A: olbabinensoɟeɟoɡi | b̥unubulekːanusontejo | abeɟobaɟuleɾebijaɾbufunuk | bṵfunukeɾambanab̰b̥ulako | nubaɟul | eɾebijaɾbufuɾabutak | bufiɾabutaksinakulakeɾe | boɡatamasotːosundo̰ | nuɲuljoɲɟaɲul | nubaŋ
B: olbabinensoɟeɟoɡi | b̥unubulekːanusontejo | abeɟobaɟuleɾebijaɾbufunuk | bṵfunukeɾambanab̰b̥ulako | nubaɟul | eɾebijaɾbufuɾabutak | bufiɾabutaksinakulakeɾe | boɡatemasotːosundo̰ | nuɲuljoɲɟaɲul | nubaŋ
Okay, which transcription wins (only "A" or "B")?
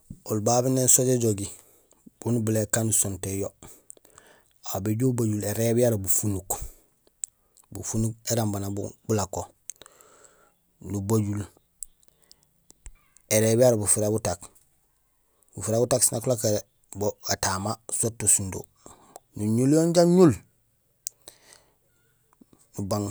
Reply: A